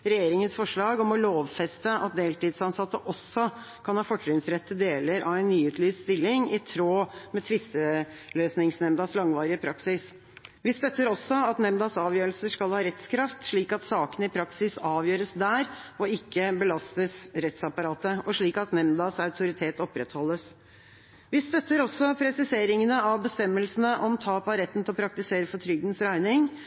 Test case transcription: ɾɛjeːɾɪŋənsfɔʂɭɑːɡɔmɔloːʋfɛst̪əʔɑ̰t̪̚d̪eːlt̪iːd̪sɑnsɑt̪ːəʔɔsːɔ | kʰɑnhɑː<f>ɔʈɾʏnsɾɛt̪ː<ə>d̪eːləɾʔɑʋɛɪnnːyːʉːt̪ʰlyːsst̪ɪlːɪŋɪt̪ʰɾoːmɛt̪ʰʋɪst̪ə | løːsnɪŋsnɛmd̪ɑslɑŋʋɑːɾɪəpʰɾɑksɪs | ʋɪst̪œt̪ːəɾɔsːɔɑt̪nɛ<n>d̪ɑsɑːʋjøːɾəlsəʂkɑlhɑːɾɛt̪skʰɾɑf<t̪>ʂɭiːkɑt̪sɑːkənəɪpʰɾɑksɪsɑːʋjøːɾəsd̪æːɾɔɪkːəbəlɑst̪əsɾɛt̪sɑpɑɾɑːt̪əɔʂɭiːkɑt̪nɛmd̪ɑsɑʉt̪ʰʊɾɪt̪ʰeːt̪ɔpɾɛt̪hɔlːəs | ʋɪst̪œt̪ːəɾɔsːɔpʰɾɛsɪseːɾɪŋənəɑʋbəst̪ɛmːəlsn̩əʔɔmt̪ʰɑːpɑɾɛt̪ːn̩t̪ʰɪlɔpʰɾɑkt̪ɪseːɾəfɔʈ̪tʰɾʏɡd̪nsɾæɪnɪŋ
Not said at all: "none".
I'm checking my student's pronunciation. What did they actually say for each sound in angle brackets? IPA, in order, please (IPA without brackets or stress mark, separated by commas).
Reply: f, ə, m, t̪